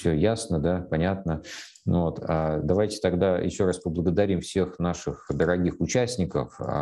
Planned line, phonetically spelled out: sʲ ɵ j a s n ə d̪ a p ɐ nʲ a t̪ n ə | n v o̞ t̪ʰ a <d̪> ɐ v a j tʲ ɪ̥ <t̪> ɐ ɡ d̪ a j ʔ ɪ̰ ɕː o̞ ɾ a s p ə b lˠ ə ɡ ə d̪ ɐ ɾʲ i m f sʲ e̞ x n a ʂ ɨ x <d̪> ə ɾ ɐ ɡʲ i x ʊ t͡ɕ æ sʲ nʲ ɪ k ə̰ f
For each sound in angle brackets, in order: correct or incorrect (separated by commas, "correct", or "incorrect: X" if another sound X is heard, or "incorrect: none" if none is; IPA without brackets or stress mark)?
correct, correct, correct